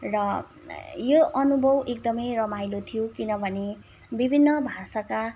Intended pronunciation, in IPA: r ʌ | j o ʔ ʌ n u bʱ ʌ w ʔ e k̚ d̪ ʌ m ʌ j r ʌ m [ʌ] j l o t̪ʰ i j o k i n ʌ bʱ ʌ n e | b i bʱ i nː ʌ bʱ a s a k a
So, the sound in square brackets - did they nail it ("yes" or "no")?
no